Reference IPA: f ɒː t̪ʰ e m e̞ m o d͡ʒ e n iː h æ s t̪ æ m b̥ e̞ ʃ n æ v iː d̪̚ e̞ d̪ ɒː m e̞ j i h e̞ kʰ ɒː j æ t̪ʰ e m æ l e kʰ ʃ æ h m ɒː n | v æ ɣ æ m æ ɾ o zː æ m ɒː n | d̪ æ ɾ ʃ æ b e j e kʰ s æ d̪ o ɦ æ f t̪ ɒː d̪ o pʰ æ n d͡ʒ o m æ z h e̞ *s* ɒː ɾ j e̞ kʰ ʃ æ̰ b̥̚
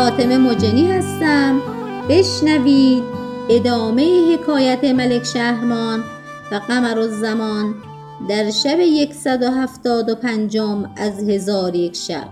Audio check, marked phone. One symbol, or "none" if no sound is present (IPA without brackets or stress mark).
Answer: z